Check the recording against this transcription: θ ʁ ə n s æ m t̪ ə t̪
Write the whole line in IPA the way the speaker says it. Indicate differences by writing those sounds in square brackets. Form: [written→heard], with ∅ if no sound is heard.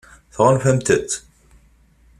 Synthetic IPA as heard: θ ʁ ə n [s→f] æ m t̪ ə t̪